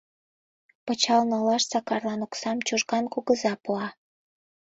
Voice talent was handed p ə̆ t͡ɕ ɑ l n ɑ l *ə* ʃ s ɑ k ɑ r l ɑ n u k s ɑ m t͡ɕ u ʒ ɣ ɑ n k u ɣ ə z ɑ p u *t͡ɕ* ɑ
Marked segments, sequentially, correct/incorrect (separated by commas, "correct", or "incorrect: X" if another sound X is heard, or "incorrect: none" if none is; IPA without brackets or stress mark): incorrect: ɑ, incorrect: none